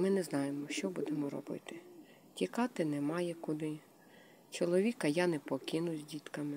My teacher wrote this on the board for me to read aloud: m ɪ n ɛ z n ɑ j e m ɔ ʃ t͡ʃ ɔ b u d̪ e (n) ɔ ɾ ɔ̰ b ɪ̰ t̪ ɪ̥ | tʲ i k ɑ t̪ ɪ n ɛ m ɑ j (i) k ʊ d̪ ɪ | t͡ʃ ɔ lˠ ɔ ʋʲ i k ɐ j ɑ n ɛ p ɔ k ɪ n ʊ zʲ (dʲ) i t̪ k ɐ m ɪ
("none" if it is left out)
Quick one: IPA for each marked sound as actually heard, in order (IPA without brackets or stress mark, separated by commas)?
m, ɛ, dʲ